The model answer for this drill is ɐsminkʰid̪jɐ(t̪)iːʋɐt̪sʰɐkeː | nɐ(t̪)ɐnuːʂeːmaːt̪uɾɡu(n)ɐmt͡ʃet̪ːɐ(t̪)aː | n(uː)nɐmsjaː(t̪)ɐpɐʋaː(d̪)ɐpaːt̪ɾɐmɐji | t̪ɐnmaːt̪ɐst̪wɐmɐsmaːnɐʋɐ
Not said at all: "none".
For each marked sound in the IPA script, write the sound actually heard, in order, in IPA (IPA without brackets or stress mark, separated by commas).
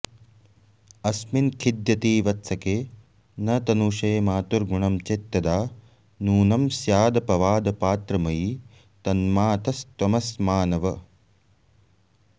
t̪, t̪, ɳ, d̪, uː, d̪, d̪